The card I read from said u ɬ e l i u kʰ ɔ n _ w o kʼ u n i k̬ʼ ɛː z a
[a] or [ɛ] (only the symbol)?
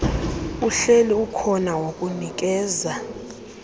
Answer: a